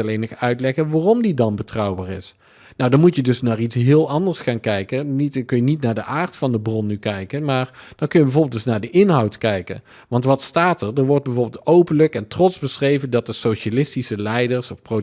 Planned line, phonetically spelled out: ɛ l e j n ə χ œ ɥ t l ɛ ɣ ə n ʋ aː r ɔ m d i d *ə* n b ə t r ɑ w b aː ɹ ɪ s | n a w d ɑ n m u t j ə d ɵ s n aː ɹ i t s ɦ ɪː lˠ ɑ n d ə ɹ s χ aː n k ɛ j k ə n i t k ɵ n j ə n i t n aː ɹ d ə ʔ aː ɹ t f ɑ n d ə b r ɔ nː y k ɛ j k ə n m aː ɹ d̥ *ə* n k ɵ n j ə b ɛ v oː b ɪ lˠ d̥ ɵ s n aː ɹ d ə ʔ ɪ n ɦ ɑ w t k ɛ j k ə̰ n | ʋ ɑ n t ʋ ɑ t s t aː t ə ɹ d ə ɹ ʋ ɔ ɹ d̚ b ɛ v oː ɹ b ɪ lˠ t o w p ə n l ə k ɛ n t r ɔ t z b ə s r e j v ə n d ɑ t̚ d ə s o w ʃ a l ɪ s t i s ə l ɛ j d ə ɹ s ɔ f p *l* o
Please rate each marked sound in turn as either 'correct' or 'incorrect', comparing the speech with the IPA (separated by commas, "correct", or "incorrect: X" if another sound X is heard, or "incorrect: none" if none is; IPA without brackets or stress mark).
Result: incorrect: ɑ, incorrect: ɑ, incorrect: r